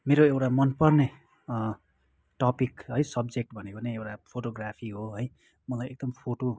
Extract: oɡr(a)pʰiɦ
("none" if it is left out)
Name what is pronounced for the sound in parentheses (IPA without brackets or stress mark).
a